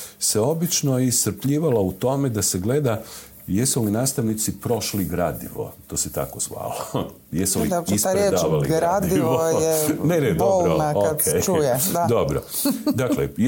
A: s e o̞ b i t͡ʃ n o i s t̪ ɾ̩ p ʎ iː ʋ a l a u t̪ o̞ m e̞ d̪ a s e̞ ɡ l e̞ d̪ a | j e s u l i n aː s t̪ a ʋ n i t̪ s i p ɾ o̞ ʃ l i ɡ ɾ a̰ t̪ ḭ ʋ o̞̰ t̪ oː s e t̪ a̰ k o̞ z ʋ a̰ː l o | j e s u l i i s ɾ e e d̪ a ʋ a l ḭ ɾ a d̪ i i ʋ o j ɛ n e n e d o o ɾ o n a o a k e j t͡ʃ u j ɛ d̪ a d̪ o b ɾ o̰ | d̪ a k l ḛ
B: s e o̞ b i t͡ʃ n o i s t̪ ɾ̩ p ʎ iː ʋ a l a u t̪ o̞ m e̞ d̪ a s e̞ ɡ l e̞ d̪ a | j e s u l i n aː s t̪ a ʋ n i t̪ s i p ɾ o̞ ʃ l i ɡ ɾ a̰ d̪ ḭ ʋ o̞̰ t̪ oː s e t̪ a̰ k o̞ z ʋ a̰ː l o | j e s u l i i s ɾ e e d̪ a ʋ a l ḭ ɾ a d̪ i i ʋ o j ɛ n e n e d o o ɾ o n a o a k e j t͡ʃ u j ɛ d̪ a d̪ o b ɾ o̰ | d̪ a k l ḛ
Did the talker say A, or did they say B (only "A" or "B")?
B